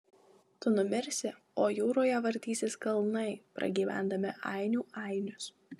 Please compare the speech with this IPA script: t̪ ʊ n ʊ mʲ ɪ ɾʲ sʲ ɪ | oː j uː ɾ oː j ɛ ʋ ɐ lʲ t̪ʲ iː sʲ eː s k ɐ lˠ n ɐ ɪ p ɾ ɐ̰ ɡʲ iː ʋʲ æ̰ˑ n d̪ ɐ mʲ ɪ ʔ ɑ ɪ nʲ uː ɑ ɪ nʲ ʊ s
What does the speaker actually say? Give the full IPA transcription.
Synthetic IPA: t̪ ʊ n ʊ mʲ ɪ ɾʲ sʲ ɪ | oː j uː ɾ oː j ɛ ʋ ɐ ɾʲ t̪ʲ iː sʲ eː s k ɐ lˠ n ɐ ɪ p ɾ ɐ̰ ɡʲ iː ʋʲ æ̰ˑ n d̪ ɐ mʲ ɪ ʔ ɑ ɪ nʲ uː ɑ ɪ nʲ ʊ s